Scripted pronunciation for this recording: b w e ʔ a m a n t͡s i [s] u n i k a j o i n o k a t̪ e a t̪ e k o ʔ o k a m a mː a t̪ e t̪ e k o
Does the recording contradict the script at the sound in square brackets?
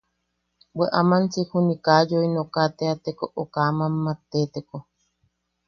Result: yes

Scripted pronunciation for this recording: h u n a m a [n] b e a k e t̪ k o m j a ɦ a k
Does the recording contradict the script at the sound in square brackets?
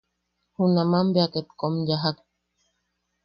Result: yes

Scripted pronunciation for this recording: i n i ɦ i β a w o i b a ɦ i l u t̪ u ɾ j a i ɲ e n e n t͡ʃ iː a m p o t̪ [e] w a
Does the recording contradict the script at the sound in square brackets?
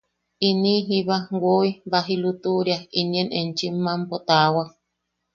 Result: yes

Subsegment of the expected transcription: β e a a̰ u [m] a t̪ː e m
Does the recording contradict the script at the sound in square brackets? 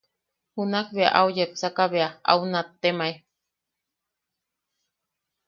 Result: yes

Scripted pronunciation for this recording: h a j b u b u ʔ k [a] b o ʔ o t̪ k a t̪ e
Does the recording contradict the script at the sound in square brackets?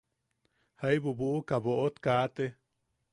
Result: no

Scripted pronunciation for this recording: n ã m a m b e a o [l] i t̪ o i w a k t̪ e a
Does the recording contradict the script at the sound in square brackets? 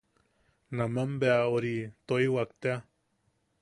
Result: yes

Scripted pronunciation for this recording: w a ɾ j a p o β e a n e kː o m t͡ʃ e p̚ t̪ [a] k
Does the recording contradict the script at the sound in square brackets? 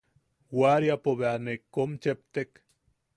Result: yes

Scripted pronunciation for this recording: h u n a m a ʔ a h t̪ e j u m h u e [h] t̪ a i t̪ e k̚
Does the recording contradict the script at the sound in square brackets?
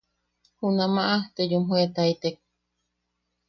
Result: yes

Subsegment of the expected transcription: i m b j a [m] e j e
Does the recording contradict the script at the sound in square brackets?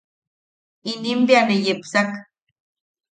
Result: yes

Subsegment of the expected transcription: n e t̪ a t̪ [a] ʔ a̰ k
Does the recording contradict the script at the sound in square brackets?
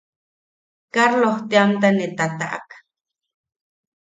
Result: no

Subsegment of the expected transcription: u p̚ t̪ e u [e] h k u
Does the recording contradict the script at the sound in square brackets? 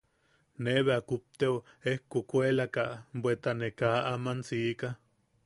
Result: no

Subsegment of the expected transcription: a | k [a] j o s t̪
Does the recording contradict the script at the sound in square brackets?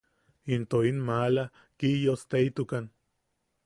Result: yes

